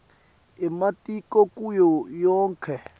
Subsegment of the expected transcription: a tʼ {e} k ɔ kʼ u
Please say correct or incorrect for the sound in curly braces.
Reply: incorrect